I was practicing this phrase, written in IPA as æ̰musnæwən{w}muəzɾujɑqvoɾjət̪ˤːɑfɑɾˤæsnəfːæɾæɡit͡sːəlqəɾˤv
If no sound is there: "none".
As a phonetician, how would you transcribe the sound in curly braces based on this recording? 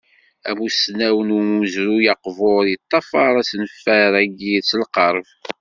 u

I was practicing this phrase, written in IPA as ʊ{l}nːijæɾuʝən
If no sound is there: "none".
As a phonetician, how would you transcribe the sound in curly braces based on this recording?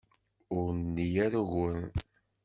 ɾ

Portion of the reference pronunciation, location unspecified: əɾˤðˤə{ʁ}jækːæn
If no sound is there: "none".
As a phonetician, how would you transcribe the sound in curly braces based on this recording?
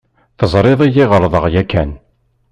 ʁ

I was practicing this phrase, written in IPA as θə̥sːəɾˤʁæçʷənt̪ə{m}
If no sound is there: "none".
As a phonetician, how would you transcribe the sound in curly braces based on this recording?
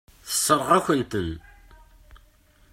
n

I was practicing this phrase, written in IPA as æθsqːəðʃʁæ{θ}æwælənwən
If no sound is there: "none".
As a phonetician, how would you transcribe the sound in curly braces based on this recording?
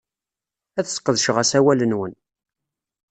s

